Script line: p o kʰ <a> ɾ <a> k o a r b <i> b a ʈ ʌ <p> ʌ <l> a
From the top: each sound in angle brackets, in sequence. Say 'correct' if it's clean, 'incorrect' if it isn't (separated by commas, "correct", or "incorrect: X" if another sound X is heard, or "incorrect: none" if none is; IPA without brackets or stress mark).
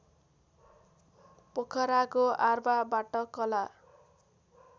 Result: incorrect: ʌ, correct, incorrect: a, incorrect: k, correct